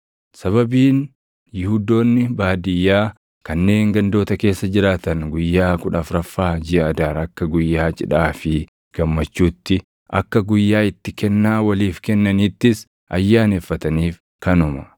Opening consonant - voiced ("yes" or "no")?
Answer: no